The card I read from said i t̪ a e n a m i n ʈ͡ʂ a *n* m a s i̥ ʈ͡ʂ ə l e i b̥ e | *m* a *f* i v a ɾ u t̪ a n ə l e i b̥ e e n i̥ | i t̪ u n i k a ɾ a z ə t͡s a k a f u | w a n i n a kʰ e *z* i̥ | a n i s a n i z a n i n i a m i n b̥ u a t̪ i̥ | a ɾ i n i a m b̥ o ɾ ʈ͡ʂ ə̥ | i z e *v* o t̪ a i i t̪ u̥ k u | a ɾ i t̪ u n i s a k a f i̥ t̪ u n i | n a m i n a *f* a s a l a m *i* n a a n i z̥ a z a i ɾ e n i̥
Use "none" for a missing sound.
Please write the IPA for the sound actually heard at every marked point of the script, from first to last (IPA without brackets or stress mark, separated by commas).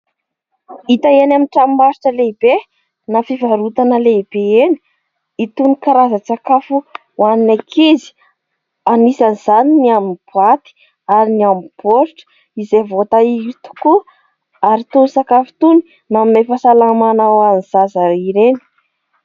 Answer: m, n, f, z, v, f, a